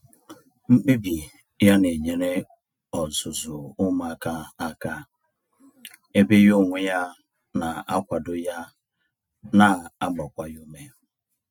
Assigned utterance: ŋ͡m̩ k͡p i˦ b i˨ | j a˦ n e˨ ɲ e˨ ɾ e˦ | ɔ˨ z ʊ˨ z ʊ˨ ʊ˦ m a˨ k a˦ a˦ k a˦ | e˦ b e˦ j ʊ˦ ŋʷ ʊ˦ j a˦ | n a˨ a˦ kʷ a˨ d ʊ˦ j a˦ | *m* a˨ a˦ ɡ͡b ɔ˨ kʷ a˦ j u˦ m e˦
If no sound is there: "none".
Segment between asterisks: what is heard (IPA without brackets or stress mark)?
n